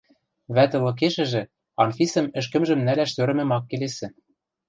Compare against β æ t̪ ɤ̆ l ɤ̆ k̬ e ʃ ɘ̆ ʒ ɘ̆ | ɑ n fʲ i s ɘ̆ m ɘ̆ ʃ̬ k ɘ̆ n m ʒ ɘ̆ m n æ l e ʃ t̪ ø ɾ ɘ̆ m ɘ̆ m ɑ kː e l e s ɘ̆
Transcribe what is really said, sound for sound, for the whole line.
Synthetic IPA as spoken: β æ t̪ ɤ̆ l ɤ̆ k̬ e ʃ ɘ̆ ʒ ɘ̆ | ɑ n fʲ i s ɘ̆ m ɘ̆ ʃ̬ k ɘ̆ m ʒ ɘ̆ m n æ l æ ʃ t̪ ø ɾ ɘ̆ m ɘ̆ m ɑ kː e l e s ɘ̆